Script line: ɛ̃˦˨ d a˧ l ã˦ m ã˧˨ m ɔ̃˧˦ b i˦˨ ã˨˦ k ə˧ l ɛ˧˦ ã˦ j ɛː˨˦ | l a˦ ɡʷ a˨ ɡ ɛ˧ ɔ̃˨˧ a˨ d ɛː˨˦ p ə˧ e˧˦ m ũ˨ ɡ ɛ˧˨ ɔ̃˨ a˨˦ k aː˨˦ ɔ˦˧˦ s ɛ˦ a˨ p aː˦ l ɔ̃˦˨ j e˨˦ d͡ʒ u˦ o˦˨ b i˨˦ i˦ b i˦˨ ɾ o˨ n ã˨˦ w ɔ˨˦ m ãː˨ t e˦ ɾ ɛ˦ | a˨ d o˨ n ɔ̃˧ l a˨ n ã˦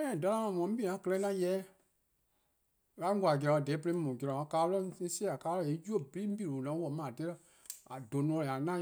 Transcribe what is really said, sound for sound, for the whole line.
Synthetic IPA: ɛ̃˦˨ d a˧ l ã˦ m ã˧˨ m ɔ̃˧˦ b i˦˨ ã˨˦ k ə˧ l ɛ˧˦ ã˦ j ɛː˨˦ | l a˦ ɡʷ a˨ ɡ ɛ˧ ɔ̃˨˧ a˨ d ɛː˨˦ p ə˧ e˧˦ m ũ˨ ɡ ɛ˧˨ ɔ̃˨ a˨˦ k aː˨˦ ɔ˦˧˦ s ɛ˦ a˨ k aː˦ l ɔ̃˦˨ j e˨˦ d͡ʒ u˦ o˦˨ b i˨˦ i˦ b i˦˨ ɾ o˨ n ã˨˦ w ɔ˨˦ m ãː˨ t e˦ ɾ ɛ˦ | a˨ d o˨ n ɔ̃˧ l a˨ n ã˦